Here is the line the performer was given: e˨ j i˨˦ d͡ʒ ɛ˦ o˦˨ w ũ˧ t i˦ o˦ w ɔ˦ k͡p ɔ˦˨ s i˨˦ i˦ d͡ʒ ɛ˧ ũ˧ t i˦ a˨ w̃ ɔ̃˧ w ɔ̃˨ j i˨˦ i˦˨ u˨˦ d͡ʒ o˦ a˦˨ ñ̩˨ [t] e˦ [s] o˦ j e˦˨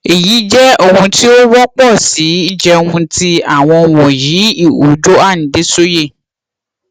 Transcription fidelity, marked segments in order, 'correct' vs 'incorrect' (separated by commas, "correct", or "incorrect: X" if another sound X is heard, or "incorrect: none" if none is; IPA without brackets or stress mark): incorrect: d, correct